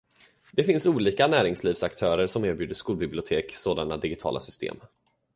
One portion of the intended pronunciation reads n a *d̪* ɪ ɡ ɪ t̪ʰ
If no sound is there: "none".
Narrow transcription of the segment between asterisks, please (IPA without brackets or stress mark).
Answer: d̪